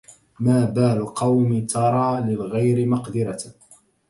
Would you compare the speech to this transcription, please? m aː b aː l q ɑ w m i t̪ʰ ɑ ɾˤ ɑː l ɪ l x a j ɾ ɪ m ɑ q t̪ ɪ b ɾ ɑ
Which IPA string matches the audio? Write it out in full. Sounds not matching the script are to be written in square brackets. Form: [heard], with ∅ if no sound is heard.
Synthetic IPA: m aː b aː l q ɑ w m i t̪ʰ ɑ ɾˤ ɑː l ɪ l [ɣ] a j ɾ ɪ m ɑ q [d̪] ɪ [∅] ɾ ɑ